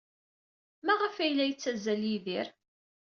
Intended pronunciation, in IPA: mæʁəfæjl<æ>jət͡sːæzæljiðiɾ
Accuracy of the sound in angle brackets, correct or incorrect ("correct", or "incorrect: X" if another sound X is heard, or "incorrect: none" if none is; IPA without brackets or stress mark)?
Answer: correct